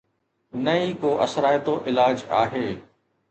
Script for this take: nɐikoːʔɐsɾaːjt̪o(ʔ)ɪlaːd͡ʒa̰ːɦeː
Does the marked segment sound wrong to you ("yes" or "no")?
no